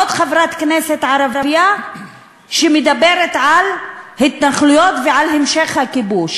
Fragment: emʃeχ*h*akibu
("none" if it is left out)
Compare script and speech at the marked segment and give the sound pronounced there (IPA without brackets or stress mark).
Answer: h